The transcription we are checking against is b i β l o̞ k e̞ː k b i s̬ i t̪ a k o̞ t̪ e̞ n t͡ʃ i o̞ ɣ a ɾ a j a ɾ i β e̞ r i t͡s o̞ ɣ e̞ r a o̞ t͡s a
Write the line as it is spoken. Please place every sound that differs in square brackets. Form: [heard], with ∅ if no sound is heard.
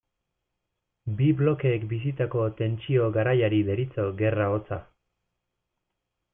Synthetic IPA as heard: b i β l o̞ k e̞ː k b i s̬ i t̪ a k o̞ t̪ e̞ n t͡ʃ i o̞ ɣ a ɾ a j a ɾ i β e̞ [ɾ] i t͡s o̞ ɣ e̞ r a o̞ t͡s a